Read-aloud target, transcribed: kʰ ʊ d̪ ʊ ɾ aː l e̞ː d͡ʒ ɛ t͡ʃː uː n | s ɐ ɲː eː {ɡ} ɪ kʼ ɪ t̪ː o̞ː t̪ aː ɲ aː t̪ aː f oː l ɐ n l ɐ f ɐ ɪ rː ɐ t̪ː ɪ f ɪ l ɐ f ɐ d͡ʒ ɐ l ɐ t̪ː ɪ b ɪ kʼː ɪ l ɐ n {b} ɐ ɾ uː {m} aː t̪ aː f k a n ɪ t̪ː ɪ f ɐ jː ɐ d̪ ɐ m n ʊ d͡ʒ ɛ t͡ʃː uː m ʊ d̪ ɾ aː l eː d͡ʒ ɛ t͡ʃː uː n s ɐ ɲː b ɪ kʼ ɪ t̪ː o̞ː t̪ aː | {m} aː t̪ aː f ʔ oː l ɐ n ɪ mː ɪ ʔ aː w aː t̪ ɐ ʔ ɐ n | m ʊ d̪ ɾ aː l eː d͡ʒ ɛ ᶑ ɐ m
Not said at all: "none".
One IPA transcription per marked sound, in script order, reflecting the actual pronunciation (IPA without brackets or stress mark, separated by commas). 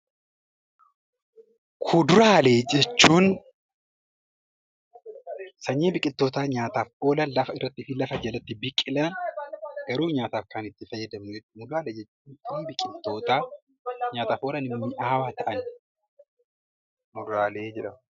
b, ɡ, ɲ, ɲ